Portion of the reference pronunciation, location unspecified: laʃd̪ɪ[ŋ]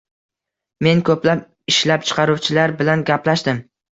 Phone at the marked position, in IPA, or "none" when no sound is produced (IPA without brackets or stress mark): m